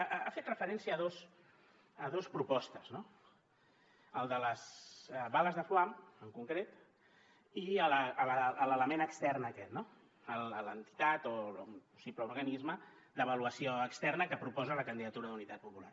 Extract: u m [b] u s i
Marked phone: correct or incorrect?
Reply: incorrect: p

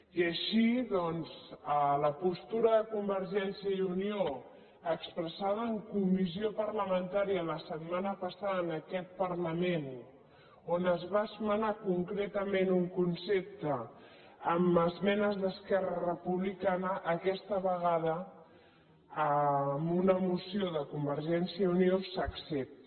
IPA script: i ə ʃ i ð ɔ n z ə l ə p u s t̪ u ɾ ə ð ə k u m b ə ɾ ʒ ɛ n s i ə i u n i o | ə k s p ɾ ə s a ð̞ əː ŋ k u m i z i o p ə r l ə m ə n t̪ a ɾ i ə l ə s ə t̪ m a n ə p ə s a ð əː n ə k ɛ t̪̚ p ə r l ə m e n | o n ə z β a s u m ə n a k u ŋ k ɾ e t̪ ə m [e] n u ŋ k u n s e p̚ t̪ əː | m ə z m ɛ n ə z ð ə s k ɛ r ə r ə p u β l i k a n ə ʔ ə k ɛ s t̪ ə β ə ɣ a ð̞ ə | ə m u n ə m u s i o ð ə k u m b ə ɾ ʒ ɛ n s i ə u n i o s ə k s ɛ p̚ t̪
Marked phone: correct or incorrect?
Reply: correct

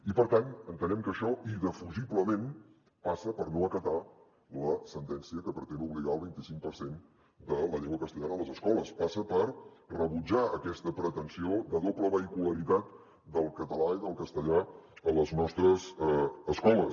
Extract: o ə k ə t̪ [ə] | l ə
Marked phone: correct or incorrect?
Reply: incorrect: a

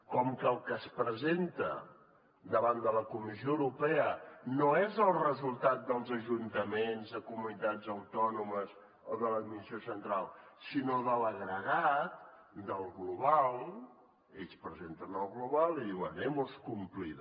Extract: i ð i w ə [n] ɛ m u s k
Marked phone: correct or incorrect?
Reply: correct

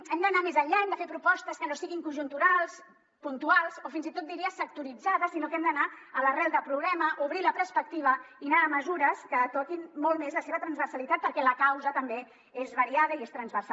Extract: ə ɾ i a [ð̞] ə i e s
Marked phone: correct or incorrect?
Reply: correct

